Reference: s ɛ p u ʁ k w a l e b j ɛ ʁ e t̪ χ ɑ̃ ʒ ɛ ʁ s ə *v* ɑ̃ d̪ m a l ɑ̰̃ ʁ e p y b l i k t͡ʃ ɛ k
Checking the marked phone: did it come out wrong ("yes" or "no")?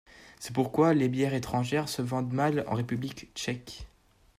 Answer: no